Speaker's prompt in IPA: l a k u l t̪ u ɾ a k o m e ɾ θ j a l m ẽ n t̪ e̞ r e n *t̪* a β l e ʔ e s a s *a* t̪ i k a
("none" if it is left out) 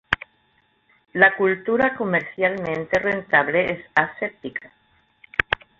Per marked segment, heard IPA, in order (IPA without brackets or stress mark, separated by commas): t̪, e